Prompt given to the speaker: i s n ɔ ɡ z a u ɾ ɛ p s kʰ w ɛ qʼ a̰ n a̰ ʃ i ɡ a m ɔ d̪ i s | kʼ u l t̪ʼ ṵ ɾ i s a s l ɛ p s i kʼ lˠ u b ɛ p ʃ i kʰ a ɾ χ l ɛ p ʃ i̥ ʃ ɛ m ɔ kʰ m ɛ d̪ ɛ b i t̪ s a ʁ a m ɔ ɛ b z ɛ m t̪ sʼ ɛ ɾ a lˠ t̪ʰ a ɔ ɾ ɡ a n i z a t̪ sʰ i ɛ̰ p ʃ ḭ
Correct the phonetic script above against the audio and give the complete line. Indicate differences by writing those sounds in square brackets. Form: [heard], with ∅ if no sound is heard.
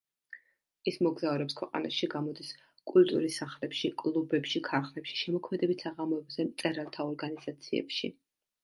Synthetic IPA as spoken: i s [m] ɔ ɡ z a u ɾ ɛ p s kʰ w ɛ qʼ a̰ n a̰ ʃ i ɡ a m ɔ d̪ i s | kʼ u l t̪ʼ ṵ ɾ i s a [χ] l ɛ p [ʃ] i kʼ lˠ u b ɛ p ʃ i kʰ a ɾ χ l ɛ p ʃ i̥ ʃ ɛ m ɔ kʰ m ɛ d̪ ɛ b i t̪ s a ʁ a m ɔ ɛ b z ɛ m t̪ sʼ ɛ ɾ a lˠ t̪ʰ a ɔ ɾ ɡ a n i z a t̪ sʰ i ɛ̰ p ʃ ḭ